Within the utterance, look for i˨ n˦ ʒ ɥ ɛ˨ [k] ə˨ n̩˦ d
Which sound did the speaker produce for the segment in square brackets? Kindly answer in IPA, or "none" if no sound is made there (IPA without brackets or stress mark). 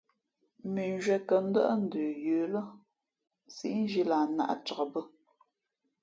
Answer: k